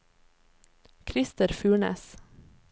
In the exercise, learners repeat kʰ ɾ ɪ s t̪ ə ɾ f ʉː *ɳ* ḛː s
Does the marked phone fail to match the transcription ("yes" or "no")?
no